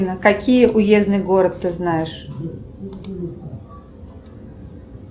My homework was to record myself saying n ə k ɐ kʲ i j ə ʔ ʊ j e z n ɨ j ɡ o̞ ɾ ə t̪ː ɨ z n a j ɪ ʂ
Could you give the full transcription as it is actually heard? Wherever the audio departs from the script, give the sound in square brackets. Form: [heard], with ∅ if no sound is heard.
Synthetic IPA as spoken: n ə k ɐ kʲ i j ə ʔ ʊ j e z n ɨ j ɡ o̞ ɾ ə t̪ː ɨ z n a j ɪ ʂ